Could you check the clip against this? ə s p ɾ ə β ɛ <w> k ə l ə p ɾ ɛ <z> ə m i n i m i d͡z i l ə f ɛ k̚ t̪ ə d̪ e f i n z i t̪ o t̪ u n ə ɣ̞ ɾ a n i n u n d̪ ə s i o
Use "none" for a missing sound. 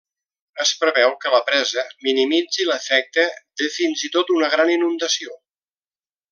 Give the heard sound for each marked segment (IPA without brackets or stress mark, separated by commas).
w, z